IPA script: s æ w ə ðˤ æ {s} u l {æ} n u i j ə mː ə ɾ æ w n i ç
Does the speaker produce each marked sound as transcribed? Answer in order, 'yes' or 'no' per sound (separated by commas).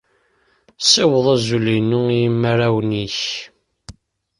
no, no